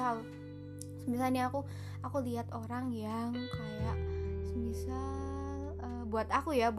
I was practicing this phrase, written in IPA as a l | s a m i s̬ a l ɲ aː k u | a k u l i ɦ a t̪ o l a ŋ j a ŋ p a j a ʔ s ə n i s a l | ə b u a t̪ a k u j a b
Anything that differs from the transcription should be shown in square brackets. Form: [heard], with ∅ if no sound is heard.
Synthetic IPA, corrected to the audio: a l | s [ə] m i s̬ a l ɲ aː k u | a k u l i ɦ a t̪ o [ɾ] a ŋ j a ŋ [k] a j a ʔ s ə [m] i s a l | ə b u a t̪ a k u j a b